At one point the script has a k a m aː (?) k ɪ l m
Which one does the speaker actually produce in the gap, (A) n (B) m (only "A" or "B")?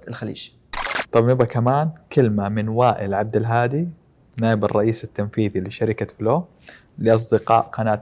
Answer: A